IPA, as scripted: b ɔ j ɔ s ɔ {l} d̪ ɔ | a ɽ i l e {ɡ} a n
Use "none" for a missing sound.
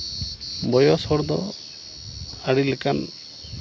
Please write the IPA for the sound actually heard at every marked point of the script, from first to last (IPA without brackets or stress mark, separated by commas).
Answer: ɾ, k